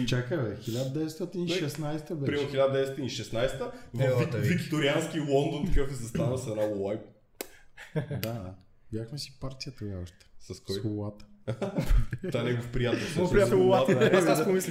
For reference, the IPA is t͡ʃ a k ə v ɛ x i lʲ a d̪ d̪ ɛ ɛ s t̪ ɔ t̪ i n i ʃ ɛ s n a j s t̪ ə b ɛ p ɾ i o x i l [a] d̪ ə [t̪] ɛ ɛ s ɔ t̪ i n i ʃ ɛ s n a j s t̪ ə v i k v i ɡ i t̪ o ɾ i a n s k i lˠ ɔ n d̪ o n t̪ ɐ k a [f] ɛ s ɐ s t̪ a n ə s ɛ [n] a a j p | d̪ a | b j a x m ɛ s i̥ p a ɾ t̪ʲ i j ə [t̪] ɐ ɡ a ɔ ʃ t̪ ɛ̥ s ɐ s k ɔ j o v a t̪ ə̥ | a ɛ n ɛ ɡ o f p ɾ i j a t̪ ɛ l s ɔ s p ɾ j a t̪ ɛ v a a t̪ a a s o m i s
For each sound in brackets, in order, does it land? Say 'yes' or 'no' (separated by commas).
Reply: yes, no, yes, yes, yes